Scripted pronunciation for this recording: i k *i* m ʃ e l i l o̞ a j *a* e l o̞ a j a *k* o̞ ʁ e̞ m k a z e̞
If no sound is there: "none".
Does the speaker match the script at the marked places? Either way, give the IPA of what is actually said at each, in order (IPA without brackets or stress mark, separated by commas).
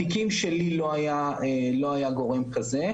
i, a, ɡ